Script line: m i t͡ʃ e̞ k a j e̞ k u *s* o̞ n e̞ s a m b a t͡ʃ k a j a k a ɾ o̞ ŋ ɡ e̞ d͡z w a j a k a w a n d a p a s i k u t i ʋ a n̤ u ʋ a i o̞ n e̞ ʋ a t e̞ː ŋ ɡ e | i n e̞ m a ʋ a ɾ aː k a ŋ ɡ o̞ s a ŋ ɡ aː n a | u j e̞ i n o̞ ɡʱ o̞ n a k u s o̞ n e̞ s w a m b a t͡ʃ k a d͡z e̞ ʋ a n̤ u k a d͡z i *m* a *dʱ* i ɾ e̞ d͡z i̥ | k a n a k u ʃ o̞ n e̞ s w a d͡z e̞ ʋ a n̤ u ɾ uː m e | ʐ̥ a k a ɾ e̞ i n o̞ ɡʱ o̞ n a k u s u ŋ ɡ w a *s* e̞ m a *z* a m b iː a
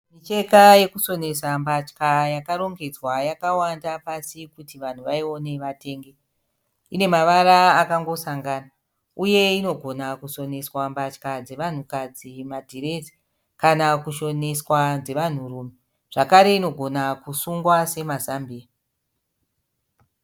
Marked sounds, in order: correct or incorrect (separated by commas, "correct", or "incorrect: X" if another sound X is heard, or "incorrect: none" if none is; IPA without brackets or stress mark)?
correct, correct, correct, correct, correct